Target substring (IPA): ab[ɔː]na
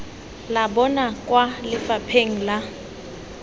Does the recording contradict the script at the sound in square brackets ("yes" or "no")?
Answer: yes